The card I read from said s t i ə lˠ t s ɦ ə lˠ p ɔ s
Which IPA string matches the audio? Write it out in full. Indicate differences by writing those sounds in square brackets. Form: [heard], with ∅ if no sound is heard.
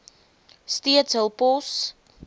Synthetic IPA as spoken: s t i ə [∅] t s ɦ ə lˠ p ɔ s